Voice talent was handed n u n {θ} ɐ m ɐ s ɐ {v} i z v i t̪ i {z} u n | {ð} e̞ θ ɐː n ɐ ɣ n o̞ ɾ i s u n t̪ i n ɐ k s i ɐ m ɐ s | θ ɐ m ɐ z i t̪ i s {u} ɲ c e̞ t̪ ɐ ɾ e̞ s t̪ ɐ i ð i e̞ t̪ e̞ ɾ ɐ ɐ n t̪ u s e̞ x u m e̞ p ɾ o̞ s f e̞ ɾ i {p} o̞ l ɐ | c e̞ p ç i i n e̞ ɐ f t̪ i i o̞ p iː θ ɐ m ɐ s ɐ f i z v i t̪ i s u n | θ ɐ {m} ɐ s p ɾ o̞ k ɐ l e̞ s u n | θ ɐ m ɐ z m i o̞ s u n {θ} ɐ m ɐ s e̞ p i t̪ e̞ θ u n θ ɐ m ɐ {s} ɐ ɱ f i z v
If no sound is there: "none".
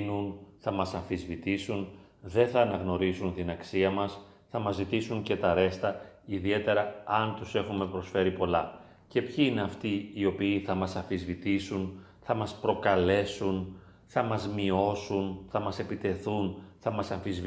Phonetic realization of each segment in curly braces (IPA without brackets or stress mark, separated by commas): θ, f, s, ð, u, p, m, θ, s